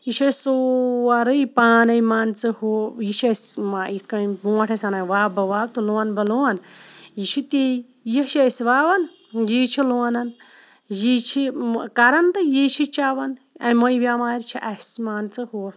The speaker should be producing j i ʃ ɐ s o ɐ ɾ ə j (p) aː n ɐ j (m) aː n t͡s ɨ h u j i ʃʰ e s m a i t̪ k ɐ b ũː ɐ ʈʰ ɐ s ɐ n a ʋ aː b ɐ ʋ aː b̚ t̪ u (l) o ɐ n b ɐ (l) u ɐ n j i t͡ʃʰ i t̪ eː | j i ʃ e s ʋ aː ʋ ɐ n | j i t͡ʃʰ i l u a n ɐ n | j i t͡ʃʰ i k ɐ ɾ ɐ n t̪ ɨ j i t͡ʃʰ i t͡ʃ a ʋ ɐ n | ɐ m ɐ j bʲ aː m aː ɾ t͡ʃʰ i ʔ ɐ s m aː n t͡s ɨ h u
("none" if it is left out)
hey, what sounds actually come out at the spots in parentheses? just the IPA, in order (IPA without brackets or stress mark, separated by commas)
p, m, l, l